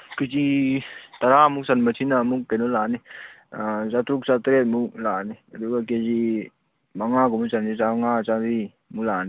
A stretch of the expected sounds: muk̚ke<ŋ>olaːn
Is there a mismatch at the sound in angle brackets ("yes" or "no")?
yes